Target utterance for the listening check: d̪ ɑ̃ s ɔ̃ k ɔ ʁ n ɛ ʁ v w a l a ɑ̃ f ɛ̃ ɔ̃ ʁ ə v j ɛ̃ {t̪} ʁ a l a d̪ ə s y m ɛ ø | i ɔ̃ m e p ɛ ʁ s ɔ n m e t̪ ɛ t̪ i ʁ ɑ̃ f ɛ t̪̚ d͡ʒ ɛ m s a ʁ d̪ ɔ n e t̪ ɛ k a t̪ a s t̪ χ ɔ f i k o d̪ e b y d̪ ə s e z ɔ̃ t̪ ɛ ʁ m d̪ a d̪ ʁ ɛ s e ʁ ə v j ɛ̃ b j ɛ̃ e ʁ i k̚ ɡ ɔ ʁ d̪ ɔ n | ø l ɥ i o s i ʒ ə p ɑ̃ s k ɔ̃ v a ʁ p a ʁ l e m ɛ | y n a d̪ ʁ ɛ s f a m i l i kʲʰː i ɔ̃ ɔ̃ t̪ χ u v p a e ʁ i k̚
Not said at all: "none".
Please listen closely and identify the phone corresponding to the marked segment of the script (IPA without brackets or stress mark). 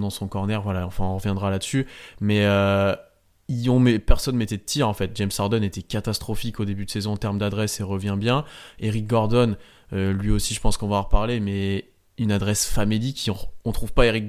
d̪